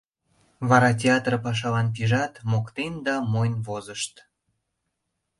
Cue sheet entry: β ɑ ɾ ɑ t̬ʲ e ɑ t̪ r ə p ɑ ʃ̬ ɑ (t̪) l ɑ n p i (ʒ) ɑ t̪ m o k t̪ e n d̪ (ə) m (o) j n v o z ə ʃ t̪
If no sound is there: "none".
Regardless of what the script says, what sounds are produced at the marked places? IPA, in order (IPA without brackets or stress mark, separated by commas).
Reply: none, ʒ, ɑ, o